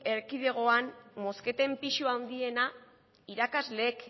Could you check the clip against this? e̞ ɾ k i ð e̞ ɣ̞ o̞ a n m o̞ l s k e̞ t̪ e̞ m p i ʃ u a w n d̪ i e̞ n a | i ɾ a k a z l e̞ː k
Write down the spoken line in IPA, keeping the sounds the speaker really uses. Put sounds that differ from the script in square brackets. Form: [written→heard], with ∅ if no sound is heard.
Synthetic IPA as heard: e̞ ɾ k i ð e̞ ɣ̞ o̞ a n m o̞ [l→∅] s k e̞ t̪ e̞ m p i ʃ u a w n d̪ i e̞ n a | i ɾ a k a z l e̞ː k

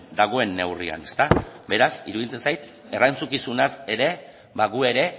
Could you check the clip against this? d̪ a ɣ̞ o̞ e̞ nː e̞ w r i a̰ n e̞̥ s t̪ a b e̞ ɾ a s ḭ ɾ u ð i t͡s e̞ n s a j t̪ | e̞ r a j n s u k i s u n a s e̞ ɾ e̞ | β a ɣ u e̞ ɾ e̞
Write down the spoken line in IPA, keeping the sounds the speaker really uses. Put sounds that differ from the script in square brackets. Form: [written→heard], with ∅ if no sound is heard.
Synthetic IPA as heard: d̪ a ɣ̞ o̞ e̞ nː e̞ w r i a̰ n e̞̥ s t̪ a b e̞ ɾ a s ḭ ɾ u ð i t͡s e̞ n s a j t̪ | e̞ r a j n [s→t͡s] u k i s u n a s e̞ ɾ e̞ | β a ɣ u e̞ ɾ e̞

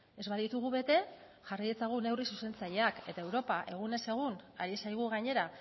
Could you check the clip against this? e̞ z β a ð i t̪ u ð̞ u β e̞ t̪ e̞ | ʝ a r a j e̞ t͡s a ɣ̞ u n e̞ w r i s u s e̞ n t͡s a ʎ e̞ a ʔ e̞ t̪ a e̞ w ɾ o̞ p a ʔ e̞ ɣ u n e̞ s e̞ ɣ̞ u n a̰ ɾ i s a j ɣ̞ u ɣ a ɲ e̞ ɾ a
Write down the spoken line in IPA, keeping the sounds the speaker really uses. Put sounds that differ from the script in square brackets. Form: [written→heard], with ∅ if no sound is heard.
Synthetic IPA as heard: e̞ z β a ð i t̪ u [ð̞→ɣ̞] u β e̞ t̪ e̞ | ʝ a r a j e̞ t͡s a ɣ̞ u n e̞ w r i s u s e̞ n t͡s a ʎ e̞ a [ʔ→k] e̞ t̪ a e̞ w ɾ o̞ p a ʔ e̞ ɣ u n e̞ s e̞ ɣ̞ u n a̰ ɾ i s a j ɣ̞ u ɣ a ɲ e̞ ɾ a

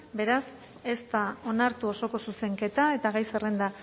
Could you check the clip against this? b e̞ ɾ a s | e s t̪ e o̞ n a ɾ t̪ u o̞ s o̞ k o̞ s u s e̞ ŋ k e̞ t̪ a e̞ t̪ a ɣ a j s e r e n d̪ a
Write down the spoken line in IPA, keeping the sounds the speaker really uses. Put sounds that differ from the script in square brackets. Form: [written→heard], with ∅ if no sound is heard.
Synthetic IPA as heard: b e̞ ɾ a s | e s t̪ [e→a] o̞ n a ɾ t̪ u o̞ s o̞ k o̞ s u s e̞ ŋ k e̞ t̪ a e̞ t̪ a ɣ a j s e r e n d̪ a

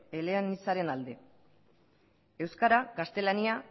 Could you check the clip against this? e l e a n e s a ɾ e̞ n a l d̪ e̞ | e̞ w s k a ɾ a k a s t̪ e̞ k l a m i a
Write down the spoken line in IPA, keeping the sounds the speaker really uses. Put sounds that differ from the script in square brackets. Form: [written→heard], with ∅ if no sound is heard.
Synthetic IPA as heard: e l e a n [e→i] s a ɾ e̞ n a l d̪ e̞ | e̞ w s k a ɾ a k a s t̪ e̞ [k→∅] l a [m→n] i a

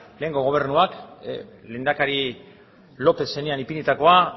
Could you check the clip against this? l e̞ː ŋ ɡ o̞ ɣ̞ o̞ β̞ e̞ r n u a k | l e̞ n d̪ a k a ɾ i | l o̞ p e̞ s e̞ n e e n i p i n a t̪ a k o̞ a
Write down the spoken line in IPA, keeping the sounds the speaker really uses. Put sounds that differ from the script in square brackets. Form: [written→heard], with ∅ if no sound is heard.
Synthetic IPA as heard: l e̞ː ŋ ɡ o̞ ɣ̞ o̞ β̞ e̞ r n u a k | l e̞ n d̪ a k a ɾ i | l o̞ p e̞ s e̞ n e [e→a] n i p i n [a→i] t̪ a k o̞ a

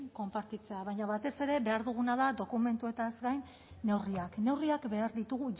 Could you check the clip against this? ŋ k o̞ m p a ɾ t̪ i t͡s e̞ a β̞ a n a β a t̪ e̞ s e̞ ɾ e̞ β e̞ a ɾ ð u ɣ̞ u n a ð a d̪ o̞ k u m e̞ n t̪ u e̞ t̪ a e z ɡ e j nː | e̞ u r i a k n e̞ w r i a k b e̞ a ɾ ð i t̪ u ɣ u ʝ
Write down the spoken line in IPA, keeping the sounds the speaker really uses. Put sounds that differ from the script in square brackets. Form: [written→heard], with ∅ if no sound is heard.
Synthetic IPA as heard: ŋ k o̞ m p a ɾ t̪ i t͡s e̞ a β̞ a [n→ɲ] a β a t̪ e̞ s e̞ ɾ e̞ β e̞ a ɾ ð u ɣ̞ u n a ð a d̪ o̞ k u m e̞ n t̪ u e̞ t̪ a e z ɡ [e→a] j nː | e̞ [u→w] r i a k n e̞ w r i a k b e̞ a ɾ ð i t̪ u ɣ u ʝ

